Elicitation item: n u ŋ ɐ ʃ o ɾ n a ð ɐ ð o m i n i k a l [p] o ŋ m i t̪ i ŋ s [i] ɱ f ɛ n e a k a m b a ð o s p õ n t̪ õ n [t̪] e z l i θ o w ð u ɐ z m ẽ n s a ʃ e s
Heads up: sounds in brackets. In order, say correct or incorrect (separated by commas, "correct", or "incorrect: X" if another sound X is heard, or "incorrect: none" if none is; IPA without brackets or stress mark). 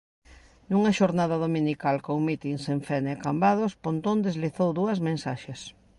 incorrect: k, incorrect: e, incorrect: d̪